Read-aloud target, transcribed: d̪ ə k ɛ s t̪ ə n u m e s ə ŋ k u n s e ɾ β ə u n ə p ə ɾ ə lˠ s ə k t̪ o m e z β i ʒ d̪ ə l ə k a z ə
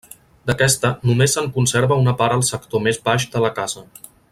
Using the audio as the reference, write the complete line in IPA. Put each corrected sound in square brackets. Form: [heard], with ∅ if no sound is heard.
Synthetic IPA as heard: d̪ ə k ɛ s t̪ ə n u m e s ə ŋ k u n s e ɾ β ə u n ə p [a] ɾ ə lˠ s ə k t̪ o m e z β [a] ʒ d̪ ə l ə k a z ə